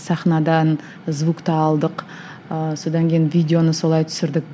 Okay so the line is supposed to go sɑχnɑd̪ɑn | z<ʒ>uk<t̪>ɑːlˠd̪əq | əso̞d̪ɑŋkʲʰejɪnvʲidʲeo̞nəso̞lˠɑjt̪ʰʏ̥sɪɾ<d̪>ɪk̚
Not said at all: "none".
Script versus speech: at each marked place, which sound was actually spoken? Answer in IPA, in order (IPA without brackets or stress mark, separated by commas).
v, t̪, d̪